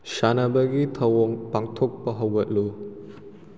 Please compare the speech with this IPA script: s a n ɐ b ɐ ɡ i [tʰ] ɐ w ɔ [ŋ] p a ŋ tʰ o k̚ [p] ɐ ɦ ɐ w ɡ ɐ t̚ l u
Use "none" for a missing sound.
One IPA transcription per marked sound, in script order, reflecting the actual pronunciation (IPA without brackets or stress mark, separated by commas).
tʰ, ŋ, p